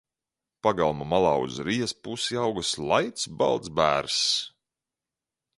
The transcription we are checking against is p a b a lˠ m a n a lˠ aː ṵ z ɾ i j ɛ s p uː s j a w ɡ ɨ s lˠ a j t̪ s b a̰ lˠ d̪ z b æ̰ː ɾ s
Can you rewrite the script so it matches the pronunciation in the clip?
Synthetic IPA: p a ɡ a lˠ m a m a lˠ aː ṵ z ɾ i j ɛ s p u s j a w ɡ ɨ s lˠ a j t̪ s b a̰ lˠ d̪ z b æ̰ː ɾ s